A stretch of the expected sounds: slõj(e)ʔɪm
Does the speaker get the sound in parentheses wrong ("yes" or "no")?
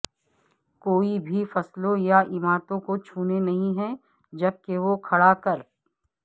yes